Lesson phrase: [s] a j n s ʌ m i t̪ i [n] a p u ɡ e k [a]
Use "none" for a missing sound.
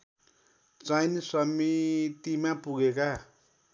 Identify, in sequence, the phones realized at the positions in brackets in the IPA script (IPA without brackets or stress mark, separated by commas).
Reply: t͡s, m, a